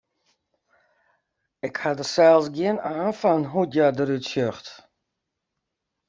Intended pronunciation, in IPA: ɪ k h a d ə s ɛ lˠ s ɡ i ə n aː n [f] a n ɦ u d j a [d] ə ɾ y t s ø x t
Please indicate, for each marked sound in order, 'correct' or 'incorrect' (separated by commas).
correct, correct